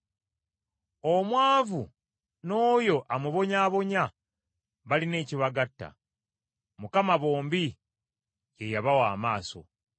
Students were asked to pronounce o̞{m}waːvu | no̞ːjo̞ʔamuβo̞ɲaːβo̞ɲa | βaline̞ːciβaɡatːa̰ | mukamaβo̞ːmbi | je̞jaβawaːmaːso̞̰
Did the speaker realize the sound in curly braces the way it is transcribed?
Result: yes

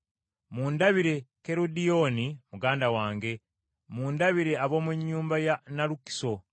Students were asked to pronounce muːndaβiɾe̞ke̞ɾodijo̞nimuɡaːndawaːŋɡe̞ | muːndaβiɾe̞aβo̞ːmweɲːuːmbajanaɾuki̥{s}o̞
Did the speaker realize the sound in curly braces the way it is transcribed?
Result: yes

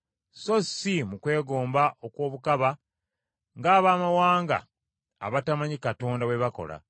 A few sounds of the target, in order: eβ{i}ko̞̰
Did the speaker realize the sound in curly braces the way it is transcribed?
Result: no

